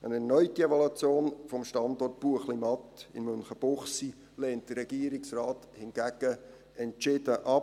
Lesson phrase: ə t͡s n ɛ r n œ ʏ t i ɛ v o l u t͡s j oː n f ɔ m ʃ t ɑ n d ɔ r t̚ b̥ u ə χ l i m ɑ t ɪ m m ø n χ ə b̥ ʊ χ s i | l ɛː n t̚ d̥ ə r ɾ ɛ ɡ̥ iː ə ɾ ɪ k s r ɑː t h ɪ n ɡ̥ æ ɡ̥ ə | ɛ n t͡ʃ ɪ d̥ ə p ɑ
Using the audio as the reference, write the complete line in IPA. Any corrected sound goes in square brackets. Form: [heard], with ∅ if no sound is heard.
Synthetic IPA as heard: ə [∅] n ɛ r n œ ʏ t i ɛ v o l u t͡s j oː n f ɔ m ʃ t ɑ n d ɔ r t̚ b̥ u ə χ l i m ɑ t ɪ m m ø n χ ə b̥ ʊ χ s i | l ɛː n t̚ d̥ ə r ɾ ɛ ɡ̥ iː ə ɾ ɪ k s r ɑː t h ɪ n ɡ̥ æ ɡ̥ ə | ɛ n t͡ʃ ɪ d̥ ə [ʔ] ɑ